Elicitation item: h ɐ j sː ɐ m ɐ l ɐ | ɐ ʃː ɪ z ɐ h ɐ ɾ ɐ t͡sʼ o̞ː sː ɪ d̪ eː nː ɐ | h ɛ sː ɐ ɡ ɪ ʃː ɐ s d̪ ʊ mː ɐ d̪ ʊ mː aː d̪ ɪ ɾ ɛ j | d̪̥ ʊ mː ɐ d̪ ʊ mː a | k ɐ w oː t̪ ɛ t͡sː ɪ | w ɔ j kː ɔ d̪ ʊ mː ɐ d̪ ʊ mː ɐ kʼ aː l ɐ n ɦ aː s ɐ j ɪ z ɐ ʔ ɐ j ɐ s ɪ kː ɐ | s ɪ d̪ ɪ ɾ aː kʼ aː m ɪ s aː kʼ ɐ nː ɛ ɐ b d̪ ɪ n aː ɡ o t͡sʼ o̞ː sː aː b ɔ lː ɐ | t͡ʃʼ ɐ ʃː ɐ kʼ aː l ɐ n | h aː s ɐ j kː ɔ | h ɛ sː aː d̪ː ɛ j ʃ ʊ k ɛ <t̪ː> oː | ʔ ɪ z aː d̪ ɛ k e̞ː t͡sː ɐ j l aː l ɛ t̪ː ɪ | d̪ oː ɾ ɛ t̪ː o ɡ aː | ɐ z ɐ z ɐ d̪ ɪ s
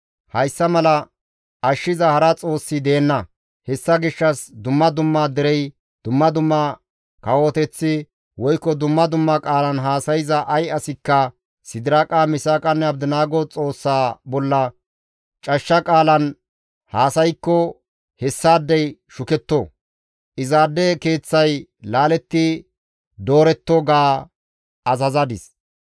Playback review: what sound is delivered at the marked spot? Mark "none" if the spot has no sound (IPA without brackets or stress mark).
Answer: t̪ː